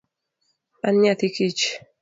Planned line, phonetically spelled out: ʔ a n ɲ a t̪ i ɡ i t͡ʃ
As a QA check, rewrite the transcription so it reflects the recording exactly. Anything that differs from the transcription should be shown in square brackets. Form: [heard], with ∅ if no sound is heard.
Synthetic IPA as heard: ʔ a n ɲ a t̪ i [k] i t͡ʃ